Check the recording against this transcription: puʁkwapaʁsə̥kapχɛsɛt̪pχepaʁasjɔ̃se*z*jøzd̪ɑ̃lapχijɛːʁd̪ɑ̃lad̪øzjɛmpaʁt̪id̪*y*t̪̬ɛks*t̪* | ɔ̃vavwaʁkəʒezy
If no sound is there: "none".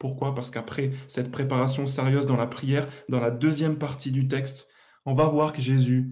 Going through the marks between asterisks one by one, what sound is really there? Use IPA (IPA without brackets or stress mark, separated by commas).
ʁ, y, t̪